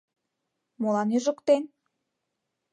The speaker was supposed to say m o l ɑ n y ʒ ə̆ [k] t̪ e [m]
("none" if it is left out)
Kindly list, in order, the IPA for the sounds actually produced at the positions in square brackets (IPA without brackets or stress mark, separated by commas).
k, n